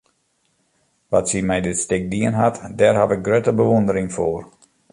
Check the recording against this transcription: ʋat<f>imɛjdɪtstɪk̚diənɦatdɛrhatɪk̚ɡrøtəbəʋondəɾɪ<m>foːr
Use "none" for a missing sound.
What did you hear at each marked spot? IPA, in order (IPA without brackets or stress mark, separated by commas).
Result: s, ŋ